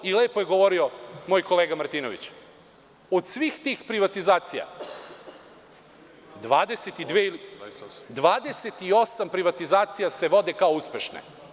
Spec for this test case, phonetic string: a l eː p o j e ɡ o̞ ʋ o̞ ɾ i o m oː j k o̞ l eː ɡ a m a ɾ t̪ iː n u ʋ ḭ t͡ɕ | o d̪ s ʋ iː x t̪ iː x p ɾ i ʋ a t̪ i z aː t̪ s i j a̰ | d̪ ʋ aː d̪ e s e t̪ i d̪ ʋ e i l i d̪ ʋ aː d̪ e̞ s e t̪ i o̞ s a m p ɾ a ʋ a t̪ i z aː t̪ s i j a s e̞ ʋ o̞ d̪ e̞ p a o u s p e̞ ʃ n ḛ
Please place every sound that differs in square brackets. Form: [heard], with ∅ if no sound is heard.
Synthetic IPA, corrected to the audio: [i] l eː p o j e ɡ o̞ ʋ o̞ ɾ i o m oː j k o̞ l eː ɡ a m a ɾ t̪ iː n [o] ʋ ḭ t͡ɕ | o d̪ s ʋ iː x t̪ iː x p ɾ i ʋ a t̪ i z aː t̪ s i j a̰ | d̪ ʋ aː d̪ e s e t̪ i d̪ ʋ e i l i d̪ ʋ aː d̪ e̞ s e t̪ i o̞ s a m p ɾ [i] ʋ a t̪ i z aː t̪ s i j a s e̞ ʋ o̞ d̪ e̞ [k] a o u s p e̞ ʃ n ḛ